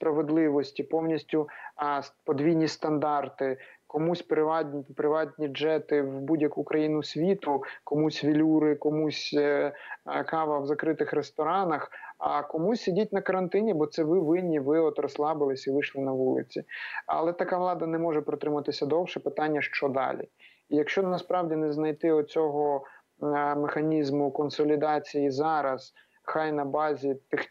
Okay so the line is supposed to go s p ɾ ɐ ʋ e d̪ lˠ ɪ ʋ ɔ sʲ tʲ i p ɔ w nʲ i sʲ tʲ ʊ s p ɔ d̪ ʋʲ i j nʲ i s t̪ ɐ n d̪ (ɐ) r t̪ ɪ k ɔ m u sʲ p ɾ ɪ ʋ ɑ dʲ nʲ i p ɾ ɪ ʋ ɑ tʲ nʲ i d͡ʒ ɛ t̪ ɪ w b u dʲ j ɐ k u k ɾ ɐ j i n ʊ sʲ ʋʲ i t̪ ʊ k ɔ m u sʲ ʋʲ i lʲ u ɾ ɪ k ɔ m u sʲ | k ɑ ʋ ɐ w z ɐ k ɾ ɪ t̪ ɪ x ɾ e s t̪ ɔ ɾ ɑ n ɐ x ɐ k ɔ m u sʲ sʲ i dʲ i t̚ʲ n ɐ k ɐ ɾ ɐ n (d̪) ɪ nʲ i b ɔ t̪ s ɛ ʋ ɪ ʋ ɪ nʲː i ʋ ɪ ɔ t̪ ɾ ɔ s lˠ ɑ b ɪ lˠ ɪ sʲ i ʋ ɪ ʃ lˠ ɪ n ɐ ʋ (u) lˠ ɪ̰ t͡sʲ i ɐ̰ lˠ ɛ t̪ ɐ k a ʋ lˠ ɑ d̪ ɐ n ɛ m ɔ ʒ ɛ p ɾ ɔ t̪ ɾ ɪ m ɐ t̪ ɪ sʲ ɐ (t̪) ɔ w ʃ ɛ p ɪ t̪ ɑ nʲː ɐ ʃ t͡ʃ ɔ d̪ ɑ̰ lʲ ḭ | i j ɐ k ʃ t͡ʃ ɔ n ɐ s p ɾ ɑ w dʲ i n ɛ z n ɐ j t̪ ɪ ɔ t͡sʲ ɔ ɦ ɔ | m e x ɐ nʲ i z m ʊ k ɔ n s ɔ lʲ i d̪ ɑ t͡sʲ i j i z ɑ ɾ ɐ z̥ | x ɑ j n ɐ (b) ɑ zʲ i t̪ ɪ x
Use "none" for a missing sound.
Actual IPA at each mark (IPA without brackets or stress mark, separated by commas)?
ɑ, t̪, u, d̪, b